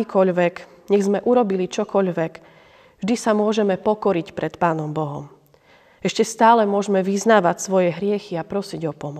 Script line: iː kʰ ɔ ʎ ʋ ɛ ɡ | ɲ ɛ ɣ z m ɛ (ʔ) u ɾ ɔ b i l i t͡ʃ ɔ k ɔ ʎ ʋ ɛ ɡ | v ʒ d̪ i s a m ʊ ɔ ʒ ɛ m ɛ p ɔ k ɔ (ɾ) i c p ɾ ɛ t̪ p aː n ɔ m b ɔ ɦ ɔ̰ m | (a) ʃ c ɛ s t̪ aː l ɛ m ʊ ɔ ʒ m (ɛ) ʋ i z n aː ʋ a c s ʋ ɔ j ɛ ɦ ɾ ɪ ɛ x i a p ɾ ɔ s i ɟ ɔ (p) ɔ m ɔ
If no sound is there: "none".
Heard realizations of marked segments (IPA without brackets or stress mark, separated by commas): ʔ, ɾ, ɛ, ɛ, p